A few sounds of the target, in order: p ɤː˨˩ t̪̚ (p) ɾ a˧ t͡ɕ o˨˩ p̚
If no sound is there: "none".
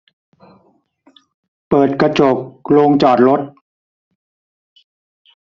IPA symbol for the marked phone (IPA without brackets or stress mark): k